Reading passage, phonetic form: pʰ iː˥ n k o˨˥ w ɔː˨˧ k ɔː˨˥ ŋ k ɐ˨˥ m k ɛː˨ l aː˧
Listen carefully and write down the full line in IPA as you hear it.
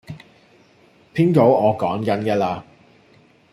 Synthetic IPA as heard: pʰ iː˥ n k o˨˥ w ɔː˨˧ k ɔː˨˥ ŋ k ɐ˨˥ n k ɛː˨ l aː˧